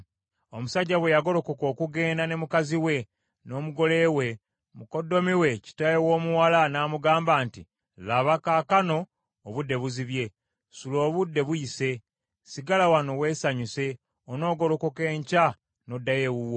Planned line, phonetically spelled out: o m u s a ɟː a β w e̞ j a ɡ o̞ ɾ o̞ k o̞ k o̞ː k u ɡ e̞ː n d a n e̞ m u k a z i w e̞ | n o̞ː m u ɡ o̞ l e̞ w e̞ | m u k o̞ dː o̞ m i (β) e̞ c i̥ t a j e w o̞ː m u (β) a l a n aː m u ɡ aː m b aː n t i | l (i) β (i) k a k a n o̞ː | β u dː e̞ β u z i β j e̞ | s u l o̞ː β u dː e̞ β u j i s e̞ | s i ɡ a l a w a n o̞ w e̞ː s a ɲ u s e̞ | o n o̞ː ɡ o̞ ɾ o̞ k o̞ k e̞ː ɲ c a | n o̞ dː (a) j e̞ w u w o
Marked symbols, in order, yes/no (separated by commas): no, no, no, no, yes